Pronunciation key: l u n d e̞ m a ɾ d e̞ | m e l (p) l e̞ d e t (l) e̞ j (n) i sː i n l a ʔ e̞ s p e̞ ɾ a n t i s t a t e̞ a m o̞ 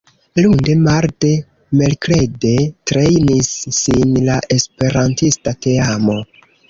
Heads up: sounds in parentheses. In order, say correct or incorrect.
incorrect: k, incorrect: ɾ, correct

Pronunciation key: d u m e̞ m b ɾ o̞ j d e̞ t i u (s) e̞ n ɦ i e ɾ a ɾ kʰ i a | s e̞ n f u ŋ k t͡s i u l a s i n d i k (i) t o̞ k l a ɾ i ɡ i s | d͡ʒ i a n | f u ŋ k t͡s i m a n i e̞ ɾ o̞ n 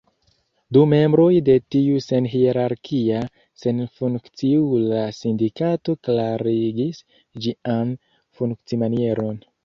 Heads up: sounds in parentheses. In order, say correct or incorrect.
correct, incorrect: a

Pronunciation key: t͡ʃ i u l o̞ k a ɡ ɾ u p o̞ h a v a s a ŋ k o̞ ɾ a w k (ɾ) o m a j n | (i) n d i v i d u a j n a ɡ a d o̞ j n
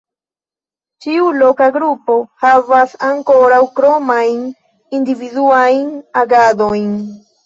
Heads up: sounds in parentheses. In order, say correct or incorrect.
correct, correct

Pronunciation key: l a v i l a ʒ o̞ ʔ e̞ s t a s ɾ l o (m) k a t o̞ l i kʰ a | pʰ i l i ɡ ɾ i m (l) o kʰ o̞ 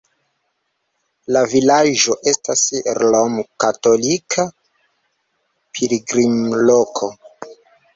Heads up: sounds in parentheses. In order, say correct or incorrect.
correct, correct

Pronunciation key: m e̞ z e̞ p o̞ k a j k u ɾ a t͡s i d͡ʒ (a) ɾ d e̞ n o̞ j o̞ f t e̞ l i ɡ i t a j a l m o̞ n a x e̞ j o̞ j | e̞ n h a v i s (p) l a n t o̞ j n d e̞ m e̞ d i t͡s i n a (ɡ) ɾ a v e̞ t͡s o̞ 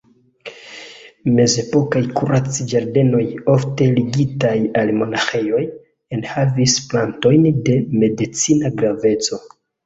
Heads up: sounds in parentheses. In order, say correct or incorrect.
correct, correct, correct

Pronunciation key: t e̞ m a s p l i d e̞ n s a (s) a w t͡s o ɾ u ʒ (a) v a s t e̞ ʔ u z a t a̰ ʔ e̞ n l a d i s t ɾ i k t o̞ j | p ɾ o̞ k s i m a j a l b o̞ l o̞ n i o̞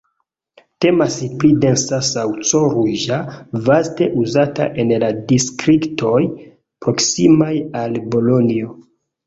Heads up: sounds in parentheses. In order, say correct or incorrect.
correct, correct

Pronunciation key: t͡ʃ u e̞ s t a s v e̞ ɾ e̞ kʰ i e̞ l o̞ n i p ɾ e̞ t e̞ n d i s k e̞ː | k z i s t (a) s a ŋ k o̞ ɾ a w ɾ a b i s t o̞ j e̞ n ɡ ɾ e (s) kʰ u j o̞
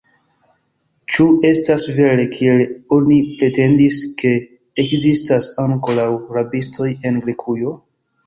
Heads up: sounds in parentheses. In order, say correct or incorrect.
correct, incorrect: none

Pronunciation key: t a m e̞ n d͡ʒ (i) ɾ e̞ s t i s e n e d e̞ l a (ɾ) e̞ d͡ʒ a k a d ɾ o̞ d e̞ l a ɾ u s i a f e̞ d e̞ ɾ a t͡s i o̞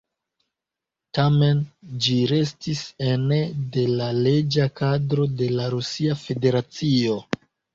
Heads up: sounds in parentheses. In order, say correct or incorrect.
correct, incorrect: l

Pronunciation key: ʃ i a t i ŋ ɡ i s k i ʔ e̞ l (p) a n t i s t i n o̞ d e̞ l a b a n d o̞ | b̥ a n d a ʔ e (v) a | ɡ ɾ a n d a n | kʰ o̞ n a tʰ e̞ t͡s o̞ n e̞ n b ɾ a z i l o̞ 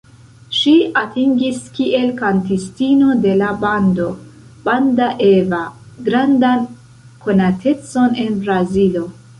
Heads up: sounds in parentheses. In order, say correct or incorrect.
incorrect: k, correct

